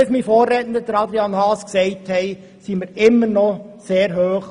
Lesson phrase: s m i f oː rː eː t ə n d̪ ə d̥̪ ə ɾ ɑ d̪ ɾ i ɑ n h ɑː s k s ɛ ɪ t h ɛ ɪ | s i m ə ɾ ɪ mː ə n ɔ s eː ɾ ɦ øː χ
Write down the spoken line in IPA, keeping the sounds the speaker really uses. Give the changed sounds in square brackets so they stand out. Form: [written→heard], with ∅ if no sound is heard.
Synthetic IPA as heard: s m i f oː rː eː t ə n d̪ ə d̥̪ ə ɾ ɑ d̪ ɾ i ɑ n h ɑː s k s ɛ ɪ t h ɛ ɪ | s i m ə ɾ ɪ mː ə n ɔ s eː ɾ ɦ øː χ